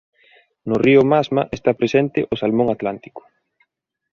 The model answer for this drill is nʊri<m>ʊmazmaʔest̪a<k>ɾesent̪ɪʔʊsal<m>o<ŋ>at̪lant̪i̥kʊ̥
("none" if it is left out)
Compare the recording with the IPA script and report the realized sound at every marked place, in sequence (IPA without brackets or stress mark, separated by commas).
none, p, m, ŋ